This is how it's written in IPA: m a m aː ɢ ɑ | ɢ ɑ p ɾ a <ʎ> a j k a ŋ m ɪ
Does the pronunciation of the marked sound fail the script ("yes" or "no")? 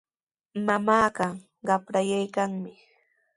yes